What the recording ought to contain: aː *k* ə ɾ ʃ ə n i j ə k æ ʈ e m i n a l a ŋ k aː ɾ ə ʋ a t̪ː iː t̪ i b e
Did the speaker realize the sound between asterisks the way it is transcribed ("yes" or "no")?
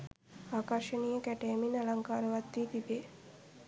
yes